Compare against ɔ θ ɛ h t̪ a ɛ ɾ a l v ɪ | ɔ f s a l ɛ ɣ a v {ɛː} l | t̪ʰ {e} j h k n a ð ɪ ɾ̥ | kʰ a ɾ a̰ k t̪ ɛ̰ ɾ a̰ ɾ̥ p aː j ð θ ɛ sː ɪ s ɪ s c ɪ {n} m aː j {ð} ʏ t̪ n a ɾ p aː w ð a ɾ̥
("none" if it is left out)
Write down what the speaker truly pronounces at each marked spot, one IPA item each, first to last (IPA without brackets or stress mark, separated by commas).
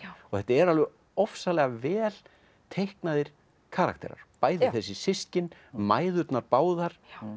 ɛː, e, n, ð